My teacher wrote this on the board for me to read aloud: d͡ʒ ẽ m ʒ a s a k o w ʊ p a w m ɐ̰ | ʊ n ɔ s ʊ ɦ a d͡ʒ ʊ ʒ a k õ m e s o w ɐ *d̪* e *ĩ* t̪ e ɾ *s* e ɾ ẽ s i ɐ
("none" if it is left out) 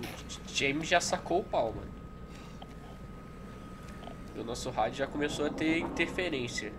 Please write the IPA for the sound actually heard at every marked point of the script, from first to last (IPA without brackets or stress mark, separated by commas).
t̪, ĩ, f